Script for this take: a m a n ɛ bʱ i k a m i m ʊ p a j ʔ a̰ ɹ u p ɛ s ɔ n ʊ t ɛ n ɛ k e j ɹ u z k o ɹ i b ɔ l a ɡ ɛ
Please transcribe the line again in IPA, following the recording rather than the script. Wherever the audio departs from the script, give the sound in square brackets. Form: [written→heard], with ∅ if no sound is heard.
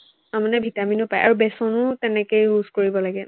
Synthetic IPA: a m a n ɛ bʱ i [k→t] a m i [m→n] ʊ p a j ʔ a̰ ɹ u [p→b] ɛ s ɔ n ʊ t ɛ n ɛ k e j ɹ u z k o ɹ i b ɔ l a ɡ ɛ